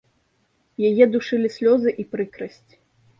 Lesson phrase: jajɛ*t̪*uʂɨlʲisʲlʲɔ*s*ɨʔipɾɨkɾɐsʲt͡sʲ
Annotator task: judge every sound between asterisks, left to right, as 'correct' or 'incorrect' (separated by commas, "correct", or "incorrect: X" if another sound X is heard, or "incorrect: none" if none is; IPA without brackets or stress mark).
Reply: incorrect: d̪, incorrect: z